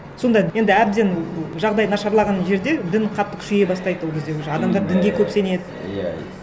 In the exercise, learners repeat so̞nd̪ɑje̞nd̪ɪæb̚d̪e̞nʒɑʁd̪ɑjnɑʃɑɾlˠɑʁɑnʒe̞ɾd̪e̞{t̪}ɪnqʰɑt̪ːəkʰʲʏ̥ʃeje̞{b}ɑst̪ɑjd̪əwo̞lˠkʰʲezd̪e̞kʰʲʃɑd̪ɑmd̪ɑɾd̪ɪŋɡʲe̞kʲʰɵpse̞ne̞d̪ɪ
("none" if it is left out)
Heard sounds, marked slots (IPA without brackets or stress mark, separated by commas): d̪, b